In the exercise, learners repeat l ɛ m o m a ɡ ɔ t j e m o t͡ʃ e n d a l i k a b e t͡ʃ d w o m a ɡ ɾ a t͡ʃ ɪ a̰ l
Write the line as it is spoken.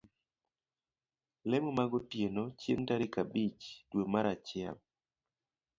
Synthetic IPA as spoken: l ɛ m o m a ɡ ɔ t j e n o t͡ʃ e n t a ɾ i k a b i t͡ʃ d w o m a ɾ a t͡ʃ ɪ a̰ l